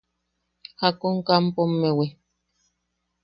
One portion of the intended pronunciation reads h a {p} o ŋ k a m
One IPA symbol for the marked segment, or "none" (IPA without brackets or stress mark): k